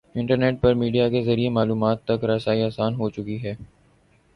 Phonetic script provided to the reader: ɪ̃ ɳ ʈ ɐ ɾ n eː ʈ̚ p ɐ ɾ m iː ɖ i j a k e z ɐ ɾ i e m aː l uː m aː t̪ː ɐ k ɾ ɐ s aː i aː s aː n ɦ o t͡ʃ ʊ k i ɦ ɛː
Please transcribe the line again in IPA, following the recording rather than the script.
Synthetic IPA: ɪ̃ ɳ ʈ ə ɾ n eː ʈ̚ p ɐ ɾ m iː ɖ i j a k e z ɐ ɾ i e m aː l uː m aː t̪ː ɐ k ɾ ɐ s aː i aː s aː n ɦ o t͡ʃ ʊ k i ɦ ɛː